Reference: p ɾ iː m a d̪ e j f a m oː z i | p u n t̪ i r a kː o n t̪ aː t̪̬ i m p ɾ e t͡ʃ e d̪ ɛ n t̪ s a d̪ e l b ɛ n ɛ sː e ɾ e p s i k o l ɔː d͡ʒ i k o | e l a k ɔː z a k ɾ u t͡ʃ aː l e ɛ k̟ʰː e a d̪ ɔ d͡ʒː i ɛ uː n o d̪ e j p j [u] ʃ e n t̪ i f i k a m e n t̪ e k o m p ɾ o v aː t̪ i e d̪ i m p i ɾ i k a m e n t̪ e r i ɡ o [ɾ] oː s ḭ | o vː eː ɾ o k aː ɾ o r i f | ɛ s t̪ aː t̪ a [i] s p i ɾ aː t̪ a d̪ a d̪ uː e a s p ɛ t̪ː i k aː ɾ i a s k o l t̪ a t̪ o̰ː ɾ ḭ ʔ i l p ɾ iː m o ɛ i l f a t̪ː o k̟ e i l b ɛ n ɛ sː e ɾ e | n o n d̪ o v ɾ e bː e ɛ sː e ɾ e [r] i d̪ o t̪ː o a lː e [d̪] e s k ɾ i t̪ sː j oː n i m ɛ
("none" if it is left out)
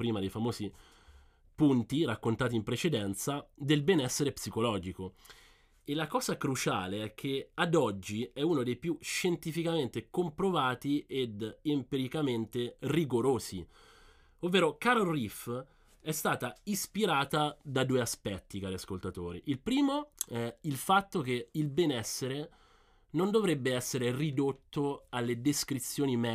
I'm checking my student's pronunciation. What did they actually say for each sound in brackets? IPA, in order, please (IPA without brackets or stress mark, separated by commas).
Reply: u, ɾ, i, r, d̪